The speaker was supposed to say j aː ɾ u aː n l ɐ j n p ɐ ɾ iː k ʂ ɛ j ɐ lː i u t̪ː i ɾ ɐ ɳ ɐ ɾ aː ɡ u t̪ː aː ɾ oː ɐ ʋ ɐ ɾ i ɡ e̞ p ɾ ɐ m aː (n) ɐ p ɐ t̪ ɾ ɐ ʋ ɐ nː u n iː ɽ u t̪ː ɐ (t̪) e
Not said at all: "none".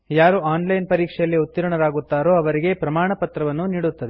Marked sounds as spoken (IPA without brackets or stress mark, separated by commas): ɳ, d̪